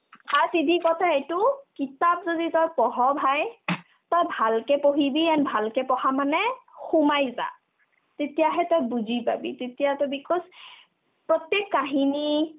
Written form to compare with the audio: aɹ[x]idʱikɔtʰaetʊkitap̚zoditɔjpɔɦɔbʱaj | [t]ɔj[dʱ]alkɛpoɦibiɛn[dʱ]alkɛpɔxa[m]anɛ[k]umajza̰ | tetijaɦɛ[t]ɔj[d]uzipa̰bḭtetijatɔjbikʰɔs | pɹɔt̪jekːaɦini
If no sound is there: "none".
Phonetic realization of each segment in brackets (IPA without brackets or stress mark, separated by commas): s, t, bʱ, bʱ, m, x, t, b